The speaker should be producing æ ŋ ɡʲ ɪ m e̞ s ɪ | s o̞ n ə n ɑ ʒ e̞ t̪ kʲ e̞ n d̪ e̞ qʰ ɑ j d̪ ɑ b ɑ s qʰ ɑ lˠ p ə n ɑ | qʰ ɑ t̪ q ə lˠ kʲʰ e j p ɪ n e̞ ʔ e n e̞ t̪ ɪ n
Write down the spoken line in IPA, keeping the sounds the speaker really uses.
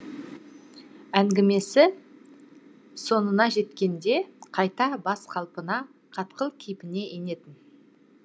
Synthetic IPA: æ ŋ ɡʲ ɪ m e̞ s ɪ | s o̞ n ə n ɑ ʒ e̞ t̪ kʲ e̞ n d̪ e̞ qʰ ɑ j t̪ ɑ b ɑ s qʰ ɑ lˠ p ə n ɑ | qʰ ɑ t̪ q ə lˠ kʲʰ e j p ɪ n e̞ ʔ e n e̞ t̪ ɪ n